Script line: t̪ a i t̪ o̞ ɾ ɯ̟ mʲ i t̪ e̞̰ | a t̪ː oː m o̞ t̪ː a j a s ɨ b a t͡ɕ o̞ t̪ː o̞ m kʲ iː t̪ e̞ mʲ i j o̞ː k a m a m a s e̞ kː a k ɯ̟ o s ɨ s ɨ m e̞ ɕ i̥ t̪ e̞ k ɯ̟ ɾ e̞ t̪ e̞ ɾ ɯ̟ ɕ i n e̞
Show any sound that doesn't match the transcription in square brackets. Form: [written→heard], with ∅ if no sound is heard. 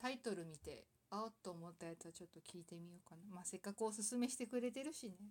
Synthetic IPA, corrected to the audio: t̪ a i t̪ o̞ ɾ ɯ̟ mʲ i t̪ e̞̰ | a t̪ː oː m o̞ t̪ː a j a [s→t͡s] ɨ [b→β] a t͡ɕ o̞ t̪ː o̞ [m→∅] kʲ iː t̪ e̞ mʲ i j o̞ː k a [m→n] a m a s e̞ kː a k ɯ̟ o s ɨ s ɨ m e̞ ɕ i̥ t̪ e̞ k ɯ̟ ɾ e̞ t̪ e̞ ɾ ɯ̟ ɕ i n e̞